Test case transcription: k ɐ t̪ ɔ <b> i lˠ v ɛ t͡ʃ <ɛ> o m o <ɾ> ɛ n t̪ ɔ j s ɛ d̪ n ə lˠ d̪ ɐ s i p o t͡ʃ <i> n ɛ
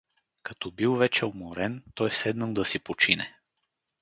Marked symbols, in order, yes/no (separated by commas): yes, yes, yes, yes